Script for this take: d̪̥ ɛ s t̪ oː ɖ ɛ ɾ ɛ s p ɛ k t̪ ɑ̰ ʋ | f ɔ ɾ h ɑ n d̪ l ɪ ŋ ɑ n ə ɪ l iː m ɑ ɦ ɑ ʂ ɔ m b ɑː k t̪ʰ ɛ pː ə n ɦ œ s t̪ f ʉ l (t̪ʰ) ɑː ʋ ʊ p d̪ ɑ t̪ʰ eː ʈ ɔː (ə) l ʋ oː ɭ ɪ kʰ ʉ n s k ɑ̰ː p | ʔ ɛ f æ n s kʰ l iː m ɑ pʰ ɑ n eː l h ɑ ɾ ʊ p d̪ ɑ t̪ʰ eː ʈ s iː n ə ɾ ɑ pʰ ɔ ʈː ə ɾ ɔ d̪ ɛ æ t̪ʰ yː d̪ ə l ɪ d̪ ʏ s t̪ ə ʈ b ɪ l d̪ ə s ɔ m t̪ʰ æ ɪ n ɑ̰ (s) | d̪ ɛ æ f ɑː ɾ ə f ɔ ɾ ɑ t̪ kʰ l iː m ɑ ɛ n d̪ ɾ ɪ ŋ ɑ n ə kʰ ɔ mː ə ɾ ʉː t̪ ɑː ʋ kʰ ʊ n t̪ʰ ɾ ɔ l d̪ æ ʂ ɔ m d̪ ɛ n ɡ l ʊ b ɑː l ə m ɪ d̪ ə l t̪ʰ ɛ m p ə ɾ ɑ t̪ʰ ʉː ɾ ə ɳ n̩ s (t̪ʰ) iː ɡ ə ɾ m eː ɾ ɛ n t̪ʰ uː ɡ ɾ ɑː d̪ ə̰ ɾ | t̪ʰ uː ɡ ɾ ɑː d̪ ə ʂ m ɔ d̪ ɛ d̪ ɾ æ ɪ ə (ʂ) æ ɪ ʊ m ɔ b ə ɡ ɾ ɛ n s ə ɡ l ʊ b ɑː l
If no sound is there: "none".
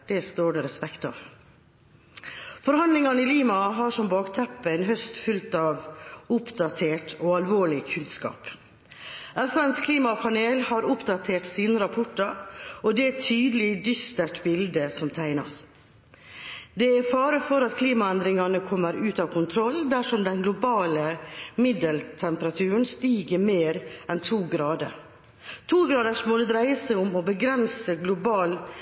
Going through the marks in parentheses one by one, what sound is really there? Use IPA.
t̪, ɑ, s, t̪, s

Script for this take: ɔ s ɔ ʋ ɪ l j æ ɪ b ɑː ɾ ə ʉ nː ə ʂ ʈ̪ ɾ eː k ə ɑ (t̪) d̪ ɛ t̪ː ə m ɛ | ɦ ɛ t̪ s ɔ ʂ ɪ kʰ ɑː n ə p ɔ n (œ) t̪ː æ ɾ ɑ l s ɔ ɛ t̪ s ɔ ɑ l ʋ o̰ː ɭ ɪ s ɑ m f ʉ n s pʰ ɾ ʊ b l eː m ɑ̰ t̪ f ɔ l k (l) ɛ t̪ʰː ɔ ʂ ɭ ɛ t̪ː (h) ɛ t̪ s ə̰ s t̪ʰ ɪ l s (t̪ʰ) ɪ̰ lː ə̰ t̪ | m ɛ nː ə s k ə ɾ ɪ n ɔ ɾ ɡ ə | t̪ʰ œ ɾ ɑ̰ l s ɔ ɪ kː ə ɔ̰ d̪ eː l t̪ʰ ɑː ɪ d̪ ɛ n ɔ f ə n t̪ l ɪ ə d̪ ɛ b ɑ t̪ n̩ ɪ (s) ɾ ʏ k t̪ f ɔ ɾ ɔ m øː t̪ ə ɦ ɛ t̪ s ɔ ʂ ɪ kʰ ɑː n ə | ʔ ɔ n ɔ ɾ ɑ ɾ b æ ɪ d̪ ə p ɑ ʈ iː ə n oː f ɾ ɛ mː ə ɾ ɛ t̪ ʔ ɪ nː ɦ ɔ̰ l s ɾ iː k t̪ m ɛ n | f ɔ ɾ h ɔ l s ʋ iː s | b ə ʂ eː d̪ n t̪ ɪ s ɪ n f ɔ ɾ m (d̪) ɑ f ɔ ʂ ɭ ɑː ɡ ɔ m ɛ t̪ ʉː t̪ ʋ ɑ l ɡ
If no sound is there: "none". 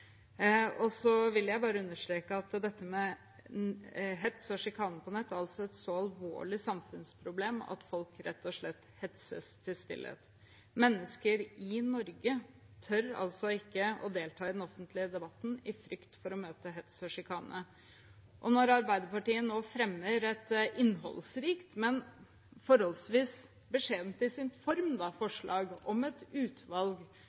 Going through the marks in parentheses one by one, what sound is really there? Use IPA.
t̪, ɛ, ɾ, h, t̪, f, d̪

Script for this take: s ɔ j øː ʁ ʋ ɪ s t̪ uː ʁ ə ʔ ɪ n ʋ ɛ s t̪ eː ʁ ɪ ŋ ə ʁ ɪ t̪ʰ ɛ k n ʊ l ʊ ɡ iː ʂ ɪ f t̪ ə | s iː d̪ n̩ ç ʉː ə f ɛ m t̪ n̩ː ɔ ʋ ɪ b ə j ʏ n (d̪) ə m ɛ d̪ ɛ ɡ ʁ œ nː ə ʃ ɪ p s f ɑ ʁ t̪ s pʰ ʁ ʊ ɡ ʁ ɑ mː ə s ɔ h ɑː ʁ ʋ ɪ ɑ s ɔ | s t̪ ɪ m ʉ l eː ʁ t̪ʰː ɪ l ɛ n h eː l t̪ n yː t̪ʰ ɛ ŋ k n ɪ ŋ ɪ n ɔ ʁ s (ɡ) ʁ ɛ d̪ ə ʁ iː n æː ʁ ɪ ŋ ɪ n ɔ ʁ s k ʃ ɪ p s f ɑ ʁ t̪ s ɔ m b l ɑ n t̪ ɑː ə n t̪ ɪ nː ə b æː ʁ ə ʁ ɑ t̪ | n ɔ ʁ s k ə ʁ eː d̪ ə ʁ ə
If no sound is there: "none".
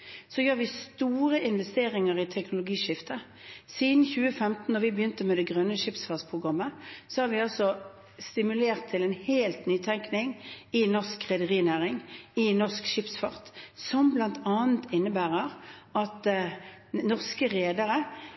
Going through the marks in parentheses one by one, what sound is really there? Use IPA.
t̪, k

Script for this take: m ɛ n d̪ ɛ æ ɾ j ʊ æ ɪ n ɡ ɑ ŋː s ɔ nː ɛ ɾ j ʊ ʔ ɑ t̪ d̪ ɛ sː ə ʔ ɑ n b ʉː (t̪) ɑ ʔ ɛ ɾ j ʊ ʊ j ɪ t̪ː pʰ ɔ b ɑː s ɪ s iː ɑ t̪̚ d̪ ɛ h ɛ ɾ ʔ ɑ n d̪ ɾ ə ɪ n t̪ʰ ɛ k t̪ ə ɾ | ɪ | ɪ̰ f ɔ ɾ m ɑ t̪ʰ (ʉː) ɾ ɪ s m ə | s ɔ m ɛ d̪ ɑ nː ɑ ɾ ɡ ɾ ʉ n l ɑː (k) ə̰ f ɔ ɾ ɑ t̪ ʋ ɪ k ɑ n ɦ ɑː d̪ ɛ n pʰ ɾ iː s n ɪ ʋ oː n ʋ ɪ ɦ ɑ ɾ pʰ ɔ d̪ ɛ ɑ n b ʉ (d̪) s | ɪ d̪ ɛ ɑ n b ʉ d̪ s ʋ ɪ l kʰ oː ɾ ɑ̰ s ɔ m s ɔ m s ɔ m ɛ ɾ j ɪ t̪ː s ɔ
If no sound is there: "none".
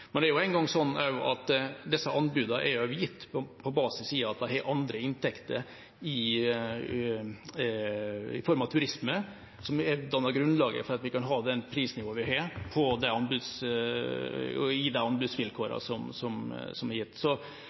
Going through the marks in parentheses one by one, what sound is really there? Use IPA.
d̪, ʉ, ɡ, d̪

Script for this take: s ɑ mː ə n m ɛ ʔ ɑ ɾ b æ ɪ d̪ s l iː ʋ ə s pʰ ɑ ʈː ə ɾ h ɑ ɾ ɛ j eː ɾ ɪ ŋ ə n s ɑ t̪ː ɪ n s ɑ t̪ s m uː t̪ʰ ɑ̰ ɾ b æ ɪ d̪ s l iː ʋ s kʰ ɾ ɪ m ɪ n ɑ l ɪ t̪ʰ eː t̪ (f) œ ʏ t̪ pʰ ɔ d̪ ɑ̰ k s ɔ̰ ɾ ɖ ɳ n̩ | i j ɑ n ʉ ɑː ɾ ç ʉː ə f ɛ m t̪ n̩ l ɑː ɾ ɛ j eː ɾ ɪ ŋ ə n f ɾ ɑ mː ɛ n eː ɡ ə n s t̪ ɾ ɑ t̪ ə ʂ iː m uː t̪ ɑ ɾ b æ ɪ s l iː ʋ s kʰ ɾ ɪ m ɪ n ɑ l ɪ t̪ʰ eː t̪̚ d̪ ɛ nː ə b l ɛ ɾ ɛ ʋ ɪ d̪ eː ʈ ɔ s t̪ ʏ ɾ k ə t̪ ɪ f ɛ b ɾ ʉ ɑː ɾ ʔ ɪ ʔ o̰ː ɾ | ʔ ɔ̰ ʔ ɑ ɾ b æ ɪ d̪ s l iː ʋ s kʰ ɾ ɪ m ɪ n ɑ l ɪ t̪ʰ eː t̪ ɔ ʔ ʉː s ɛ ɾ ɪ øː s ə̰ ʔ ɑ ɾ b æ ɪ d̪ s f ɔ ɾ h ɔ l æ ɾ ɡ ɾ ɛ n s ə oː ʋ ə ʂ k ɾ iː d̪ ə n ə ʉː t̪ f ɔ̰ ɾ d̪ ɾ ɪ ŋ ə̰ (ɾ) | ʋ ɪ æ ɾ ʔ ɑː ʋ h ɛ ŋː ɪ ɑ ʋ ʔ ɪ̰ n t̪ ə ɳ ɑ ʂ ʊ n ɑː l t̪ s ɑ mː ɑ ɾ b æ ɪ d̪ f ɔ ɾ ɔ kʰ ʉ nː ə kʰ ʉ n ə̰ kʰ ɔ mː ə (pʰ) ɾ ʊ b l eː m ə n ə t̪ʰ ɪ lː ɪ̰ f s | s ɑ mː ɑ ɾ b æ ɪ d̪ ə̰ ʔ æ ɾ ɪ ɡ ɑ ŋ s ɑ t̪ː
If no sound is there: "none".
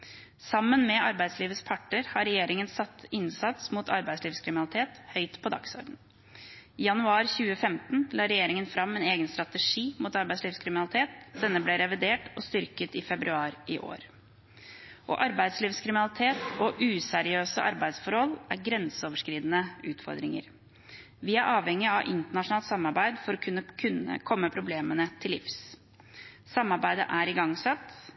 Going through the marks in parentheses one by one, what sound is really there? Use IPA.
h, ɾ, pʰ

